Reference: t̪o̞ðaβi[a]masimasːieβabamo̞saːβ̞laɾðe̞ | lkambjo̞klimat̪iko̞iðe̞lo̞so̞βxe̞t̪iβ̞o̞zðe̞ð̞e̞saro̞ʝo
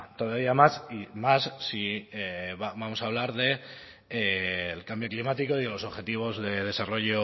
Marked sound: correct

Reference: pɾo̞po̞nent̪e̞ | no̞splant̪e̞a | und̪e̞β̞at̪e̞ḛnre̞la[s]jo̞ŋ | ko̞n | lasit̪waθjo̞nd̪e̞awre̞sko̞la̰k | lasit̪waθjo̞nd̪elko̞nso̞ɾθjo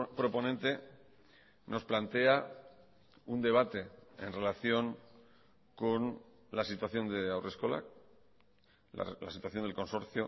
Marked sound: incorrect: θ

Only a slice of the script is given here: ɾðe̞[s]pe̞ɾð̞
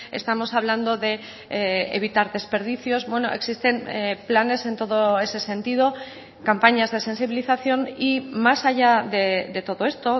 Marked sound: correct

